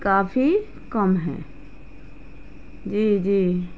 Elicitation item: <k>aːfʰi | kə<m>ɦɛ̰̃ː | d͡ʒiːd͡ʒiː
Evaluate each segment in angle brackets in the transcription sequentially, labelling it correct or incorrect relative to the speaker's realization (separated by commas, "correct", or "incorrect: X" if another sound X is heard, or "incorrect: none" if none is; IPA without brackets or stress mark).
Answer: correct, correct